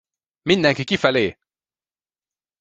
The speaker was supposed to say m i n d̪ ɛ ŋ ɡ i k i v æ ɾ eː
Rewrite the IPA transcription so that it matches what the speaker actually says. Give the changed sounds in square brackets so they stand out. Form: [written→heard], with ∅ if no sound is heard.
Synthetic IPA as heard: m i n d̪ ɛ ŋ [ɡ→k] i k i [v→f] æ [ɾ→l] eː

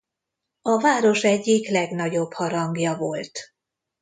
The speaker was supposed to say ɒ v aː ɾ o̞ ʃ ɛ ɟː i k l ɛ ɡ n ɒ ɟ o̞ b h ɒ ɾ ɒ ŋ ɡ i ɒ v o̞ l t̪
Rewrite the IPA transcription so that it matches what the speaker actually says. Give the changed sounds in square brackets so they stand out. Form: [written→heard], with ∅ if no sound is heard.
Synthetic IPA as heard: ɒ v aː ɾ o̞ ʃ ɛ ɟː i k l ɛ ɡ n ɒ ɟ o̞ b h ɒ ɾ ɒ ŋ ɡ [i→j] ɒ v o̞ l t̪

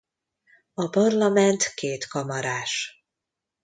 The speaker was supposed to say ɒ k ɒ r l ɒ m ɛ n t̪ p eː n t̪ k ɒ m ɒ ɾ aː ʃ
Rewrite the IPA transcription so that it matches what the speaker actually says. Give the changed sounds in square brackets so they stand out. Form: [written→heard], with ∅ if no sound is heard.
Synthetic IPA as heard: ɒ [k→p] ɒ r l ɒ m ɛ n t̪ [p→k] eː [n→∅] t̪ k ɒ m ɒ ɾ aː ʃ

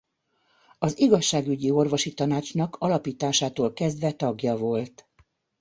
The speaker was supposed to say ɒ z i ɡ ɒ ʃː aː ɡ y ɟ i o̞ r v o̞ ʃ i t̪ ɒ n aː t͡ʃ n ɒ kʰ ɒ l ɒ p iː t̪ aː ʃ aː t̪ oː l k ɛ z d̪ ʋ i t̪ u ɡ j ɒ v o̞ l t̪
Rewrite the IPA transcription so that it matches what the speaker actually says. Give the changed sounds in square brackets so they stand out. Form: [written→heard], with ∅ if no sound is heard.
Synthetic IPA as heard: ɒ z i ɡ ɒ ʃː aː ɡ y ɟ i o̞ r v o̞ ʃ i t̪ ɒ n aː t͡ʃ n ɒ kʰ ɒ l ɒ p iː t̪ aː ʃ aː t̪ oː l k ɛ z d̪ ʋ [i→ɛ] t̪ [u→ɒ] ɡ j ɒ v o̞ l t̪

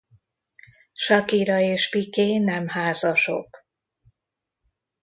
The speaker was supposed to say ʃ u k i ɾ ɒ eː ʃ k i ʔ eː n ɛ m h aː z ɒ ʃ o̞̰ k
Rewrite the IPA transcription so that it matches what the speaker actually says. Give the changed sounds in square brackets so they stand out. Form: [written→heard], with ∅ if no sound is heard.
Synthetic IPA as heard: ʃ [u→ɒ] k i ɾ ɒ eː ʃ [k→p] i [ʔ→k] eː n ɛ m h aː z ɒ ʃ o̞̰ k

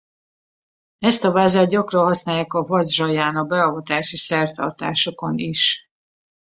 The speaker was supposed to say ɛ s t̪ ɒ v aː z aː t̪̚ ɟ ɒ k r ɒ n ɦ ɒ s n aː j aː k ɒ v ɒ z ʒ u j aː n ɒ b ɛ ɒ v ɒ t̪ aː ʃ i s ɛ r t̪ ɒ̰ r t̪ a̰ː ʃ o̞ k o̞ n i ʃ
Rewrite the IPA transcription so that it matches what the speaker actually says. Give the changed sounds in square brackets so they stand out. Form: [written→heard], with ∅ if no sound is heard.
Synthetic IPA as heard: ɛ s t̪ ɒ v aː z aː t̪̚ ɟ ɒ k r ɒ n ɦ ɒ s n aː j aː k ɒ v ɒ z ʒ [u→ɒ] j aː n ɒ b ɛ ɒ v ɒ t̪ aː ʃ i s ɛ r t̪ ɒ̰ r t̪ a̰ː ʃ o̞ k o̞ n i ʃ

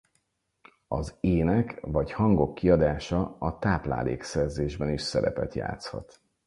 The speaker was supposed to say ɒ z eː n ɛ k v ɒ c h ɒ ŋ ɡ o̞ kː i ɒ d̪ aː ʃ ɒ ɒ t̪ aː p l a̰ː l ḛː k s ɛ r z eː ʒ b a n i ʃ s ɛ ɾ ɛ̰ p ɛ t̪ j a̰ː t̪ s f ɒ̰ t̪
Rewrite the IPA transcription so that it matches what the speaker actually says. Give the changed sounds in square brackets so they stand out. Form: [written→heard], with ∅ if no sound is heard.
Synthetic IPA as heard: ɒ z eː n ɛ k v ɒ c h ɒ ŋ ɡ o̞ kː i ɒ d̪ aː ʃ ɒ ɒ t̪ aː p l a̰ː l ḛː k s ɛ r z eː ʒ b [a→ɛ] n i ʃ s ɛ ɾ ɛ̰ p ɛ t̪ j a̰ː t̪ s [f→h] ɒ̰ t̪

